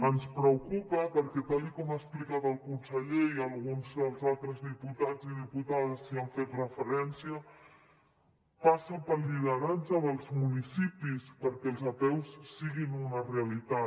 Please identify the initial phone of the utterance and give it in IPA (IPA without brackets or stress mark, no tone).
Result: ə